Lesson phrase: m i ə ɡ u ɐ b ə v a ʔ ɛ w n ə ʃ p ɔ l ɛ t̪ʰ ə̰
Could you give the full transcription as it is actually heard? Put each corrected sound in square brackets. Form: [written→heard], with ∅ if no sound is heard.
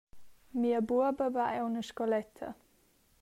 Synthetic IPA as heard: m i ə [ɡ→b] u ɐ b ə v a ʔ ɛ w n ə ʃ [p→k] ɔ l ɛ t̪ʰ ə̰